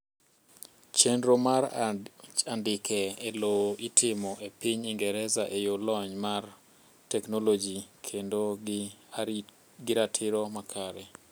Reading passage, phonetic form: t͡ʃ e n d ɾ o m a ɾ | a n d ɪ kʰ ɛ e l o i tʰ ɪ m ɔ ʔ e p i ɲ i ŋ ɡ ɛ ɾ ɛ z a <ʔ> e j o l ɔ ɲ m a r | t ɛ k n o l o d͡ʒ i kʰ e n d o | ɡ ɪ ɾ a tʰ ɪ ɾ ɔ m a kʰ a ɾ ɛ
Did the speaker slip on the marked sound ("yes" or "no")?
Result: no